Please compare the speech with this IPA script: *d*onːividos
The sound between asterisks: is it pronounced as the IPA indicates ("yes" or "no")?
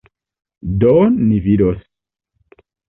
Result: yes